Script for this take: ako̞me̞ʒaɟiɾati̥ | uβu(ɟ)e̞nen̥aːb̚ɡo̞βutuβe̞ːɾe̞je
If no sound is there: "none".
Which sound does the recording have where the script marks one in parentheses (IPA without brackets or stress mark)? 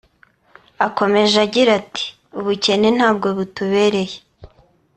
c